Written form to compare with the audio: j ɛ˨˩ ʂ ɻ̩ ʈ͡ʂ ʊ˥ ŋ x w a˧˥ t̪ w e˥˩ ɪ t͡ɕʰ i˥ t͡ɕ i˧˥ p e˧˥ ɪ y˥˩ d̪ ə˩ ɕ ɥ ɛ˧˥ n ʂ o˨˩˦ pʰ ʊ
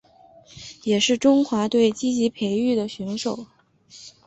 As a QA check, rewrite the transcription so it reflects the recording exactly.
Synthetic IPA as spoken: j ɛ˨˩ ʂ ɻ̩ ʈ͡ʂ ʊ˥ ŋ x w a˧˥ t̪ w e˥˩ ɪ t͡ɕ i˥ t͡ɕ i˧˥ pʰ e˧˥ ɪ y˥˩ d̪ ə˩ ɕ ɥ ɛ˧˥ n ʂ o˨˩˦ ʊ

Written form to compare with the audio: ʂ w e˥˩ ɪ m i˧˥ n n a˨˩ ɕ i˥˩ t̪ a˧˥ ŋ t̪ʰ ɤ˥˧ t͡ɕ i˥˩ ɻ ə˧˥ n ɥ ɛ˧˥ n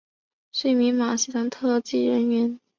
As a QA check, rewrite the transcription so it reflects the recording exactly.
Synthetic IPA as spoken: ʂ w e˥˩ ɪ m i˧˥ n m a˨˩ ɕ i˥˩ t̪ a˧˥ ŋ t̪ʰ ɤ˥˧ t͡ɕ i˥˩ ɻ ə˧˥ n ɥ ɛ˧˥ n

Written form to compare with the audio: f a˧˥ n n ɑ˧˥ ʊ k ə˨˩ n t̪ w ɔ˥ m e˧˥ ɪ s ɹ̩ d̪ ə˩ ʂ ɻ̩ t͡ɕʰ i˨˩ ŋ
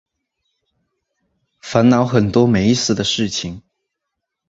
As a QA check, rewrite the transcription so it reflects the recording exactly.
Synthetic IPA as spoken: f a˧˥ n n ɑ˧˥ ʊ x ə˨˩ n t̪ w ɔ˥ m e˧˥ ɪ s ɹ̩ d̪ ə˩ ʂ ɻ̩ t͡ɕʰ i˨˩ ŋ

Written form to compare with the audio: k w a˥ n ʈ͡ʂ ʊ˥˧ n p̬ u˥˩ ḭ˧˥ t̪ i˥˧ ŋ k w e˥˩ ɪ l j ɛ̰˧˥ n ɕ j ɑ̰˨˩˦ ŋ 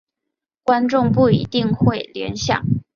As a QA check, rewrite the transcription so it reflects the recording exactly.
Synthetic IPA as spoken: k w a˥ n ʈ͡ʂ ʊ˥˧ ŋ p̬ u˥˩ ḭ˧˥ t̪ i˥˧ ŋ x w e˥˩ ɪ l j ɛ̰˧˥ n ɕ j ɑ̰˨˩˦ ŋ

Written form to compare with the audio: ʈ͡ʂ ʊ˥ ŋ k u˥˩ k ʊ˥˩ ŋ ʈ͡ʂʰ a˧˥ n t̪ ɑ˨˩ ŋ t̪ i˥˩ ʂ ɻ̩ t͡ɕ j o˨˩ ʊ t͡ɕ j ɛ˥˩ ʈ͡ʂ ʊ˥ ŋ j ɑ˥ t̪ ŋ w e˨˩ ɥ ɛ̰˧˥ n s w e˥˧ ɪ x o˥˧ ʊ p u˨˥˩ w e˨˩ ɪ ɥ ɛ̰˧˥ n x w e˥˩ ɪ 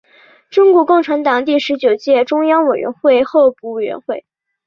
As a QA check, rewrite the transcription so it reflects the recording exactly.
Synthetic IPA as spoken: ʈ͡ʂ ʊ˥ ŋ k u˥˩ k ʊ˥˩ ŋ ʈ͡ʂʰ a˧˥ n t̪ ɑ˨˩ ŋ t̪ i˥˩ ʂ ɻ̩ t͡ɕ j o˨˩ ʊ t͡ɕ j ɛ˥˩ ʈ͡ʂ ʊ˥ ŋ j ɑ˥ ŋ w e˨˩ ɥ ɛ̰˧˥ n x w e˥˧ ɪ x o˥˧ ʊ p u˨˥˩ w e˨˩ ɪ ɥ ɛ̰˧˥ n x w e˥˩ ɪ

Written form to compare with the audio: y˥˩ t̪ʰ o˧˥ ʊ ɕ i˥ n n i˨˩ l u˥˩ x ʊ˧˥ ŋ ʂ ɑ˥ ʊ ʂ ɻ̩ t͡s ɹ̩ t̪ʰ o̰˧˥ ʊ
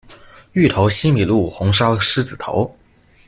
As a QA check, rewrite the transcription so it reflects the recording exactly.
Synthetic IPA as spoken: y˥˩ t̪ʰ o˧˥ ʊ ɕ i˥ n m i˨˩ l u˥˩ x ʊ˧˥ ŋ ʂ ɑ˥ ʊ ʂ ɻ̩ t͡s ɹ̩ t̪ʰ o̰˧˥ ʊ

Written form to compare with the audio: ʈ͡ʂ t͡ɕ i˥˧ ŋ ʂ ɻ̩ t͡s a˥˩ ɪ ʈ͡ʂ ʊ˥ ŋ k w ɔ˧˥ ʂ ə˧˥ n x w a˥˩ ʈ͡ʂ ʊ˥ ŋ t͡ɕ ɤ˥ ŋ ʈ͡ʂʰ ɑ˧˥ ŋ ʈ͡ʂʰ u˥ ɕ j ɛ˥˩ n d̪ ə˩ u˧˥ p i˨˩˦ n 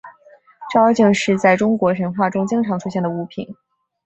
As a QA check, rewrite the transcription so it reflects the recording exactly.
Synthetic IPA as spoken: ʈ͡ʂ t͡ɕ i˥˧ ŋ ʂ ɻ̩ t͡s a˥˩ ɪ ʈ͡ʂ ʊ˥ ŋ k w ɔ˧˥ ʂ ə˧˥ n x w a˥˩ ʈ͡ʂ ʊ˥ ŋ t͡ɕ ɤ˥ ŋ ʈ͡ʂʰ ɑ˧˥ ŋ ʈ͡ʂʰ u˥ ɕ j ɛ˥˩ n d̪ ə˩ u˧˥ pʰ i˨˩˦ n

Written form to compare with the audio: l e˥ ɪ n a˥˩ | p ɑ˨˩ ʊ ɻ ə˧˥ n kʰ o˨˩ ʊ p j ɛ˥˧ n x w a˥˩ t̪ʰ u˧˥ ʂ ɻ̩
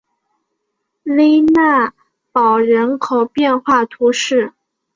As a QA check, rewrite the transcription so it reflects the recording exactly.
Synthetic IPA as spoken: l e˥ ɪ n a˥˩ | p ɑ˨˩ ʊ ɻ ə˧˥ n kʰ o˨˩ ʊ p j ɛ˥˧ n x w a˥˩ t̪ʰ u˧˥ ʂ ɻ̩

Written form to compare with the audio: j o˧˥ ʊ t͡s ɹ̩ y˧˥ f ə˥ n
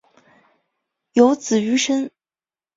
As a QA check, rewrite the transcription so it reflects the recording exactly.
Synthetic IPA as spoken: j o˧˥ ʊ t͡s ɹ̩ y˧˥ ʂ ə˥ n

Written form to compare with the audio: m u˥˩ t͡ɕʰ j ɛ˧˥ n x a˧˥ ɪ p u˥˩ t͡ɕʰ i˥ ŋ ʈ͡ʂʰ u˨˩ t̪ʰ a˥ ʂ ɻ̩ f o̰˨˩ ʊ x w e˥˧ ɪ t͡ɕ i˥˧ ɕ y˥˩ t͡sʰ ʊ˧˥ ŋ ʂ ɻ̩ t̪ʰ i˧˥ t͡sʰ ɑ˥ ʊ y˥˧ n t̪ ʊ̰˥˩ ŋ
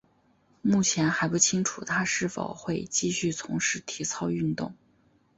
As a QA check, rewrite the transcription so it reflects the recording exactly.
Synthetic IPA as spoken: m u˥˩ t͡ɕʰ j ɛ˧˥ n x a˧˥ ɪ p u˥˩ t͡ɕʰ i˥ ŋ ʈ͡ʂʰ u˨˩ t̪ʰ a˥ ʂ ɻ̩ f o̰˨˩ ʊ x w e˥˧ ɪ t͡ɕ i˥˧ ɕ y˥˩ t͡sʰ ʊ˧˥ ŋ ʂ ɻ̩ t̪ʰ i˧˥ t͡sʰ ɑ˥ ʊ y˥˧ n t̪ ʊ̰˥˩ ŋ

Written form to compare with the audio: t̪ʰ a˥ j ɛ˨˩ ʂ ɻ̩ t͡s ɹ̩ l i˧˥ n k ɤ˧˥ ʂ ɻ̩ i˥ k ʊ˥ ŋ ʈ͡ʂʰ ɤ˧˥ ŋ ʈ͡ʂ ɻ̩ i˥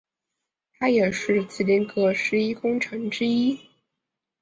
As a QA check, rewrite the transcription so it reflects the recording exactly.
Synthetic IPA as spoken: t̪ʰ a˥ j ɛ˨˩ ʂ ɻ̩ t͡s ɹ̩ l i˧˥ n k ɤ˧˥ ʂ ɻ̩ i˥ k ʊ˥ ŋ ʈ͡ʂʰ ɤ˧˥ ŋ ʈ͡ʂ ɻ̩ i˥

